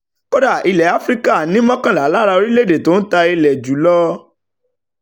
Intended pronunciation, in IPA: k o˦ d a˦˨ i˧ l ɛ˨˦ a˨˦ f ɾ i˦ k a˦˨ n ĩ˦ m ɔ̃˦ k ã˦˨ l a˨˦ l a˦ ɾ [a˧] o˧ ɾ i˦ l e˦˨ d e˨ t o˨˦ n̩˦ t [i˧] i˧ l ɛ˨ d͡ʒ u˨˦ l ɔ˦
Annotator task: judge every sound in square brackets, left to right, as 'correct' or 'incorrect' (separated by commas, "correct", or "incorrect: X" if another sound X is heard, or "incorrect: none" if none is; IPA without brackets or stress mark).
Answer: correct, incorrect: a˧